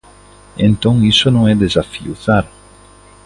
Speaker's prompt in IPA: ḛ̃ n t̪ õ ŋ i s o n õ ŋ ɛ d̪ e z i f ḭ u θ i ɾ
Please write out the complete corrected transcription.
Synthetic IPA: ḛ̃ n t̪ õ ŋ i s o n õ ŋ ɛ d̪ e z a f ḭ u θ a ɾ